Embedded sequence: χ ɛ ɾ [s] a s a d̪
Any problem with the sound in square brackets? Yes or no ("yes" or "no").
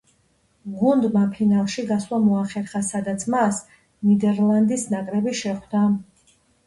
yes